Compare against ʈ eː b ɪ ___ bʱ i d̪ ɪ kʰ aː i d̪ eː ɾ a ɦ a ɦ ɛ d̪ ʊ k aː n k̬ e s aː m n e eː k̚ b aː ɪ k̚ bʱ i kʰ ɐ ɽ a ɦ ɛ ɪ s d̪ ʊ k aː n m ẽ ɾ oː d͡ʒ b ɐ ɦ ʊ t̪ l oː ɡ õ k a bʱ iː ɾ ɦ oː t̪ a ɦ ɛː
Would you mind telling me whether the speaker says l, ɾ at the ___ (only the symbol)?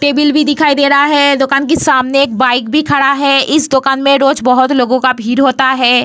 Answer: l